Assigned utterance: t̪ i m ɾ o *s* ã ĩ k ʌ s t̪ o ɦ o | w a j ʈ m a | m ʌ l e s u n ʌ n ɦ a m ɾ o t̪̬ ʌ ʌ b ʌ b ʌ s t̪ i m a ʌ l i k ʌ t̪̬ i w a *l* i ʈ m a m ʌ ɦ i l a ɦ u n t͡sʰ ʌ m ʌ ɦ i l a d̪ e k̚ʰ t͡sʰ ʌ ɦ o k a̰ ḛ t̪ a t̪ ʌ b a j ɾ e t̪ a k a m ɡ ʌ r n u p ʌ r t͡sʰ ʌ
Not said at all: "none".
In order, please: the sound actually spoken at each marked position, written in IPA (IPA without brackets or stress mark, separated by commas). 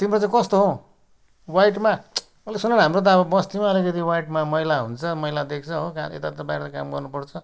t͡s, none